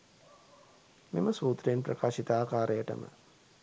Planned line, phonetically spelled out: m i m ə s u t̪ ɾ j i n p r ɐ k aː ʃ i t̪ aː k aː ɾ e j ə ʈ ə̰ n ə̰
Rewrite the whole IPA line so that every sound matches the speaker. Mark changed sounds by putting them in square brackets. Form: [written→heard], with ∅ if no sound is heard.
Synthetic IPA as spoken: m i m ə s [u→uː] t̪ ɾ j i n p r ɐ k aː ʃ i t̪ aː k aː ɾ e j ə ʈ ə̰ [n→m] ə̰